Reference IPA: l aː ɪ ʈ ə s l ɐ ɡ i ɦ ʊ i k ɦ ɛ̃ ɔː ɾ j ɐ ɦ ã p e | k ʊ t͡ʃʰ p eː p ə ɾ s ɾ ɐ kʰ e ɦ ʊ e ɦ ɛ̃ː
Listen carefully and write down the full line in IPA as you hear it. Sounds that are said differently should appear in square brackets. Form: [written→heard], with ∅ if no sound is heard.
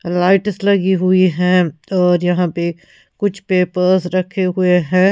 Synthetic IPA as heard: l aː ɪ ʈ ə s l ɐ ɡ i ɦ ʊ i [k→∅] ɦ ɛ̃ ɔː ɾ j ɐ ɦ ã p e | k ʊ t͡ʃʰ p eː p ə ɾ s ɾ ɐ kʰ e ɦ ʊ e ɦ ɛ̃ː